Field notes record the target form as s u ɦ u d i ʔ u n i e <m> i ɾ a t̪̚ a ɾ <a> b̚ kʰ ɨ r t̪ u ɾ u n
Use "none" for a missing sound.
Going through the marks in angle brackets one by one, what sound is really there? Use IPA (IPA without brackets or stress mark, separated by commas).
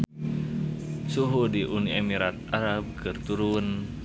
m, a